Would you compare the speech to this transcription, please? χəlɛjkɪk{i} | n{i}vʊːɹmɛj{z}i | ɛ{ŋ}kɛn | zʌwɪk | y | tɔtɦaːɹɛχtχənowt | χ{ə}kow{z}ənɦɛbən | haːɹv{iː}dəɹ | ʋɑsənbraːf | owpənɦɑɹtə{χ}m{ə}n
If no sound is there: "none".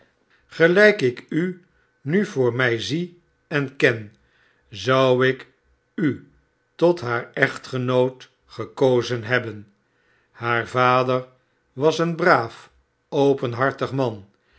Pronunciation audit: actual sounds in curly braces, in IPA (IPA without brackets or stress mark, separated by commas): y, y, z, n, ə, z, aː, χ, ɑ